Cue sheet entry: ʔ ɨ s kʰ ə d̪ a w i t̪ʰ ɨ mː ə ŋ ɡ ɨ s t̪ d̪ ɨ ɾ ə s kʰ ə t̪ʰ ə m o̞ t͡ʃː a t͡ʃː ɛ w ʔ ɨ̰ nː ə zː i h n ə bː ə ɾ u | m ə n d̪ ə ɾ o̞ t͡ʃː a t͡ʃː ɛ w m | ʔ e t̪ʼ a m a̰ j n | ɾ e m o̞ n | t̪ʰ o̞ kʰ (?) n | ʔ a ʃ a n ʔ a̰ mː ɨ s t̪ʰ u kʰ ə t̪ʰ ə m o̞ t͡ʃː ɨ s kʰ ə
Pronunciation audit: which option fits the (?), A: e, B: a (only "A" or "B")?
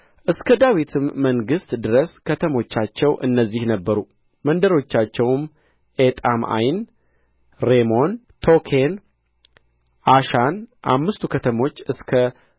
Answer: A